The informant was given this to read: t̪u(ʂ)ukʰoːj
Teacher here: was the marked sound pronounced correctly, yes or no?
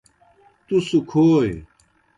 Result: no